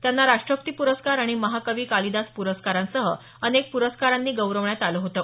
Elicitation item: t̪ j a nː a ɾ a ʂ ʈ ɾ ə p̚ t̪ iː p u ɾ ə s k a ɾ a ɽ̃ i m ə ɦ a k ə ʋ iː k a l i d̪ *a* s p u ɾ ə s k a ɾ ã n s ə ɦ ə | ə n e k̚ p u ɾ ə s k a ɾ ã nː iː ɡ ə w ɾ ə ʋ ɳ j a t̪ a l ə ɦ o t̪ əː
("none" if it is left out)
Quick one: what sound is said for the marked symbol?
a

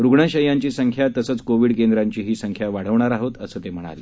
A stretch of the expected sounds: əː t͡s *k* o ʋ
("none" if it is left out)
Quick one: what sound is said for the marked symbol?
k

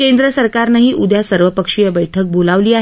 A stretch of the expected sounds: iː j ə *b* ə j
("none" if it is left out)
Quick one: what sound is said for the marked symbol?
b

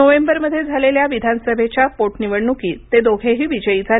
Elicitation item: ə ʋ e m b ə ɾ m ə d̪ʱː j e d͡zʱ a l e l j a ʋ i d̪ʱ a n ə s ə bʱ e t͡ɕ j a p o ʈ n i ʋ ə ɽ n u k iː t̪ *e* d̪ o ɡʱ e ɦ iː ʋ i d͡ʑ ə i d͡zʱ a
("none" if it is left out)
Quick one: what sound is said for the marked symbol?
e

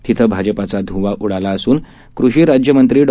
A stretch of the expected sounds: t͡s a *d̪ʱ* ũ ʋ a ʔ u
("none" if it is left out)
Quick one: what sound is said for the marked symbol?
d̪ʱ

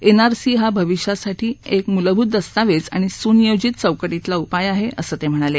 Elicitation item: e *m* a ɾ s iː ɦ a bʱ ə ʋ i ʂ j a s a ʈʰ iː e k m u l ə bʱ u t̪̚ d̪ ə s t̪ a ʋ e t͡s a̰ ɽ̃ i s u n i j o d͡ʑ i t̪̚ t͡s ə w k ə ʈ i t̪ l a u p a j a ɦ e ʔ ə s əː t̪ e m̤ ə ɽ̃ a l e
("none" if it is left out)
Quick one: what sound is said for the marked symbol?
n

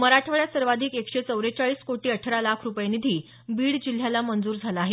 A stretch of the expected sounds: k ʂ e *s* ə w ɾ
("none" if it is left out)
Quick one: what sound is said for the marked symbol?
t͡s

